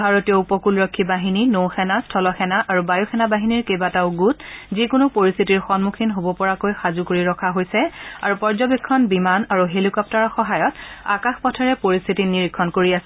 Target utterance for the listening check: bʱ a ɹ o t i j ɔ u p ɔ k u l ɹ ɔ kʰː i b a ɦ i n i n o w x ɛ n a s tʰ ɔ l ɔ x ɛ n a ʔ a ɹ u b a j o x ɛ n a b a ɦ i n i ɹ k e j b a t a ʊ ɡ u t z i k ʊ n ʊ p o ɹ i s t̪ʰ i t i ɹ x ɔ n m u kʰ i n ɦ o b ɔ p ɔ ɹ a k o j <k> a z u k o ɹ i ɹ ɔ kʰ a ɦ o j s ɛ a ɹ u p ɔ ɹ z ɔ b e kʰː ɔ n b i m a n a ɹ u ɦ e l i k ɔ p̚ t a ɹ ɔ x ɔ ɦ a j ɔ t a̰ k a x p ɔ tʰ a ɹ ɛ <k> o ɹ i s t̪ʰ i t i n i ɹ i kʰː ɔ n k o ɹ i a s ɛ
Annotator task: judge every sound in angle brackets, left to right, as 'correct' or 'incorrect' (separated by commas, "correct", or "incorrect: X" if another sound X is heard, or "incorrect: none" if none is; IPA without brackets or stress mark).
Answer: incorrect: x, incorrect: p